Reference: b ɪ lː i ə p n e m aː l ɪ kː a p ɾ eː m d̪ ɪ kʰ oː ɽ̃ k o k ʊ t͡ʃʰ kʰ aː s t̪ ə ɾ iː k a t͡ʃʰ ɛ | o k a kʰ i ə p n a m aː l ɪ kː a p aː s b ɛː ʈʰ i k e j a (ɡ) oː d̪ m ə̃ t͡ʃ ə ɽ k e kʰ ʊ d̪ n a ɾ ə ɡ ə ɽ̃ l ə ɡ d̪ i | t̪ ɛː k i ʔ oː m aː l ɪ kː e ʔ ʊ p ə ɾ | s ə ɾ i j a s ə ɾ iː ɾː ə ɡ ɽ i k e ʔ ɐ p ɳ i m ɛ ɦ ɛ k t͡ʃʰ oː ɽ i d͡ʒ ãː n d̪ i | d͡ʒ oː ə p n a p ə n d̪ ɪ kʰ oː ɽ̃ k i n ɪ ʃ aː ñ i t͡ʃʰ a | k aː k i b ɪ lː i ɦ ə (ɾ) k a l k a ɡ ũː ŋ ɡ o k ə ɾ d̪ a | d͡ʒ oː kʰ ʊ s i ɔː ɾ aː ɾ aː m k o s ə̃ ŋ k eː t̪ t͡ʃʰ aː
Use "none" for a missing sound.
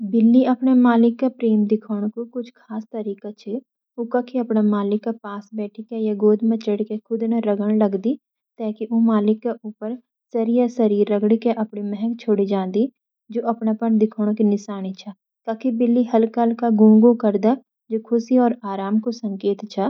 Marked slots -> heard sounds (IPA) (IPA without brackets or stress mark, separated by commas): ɡ, l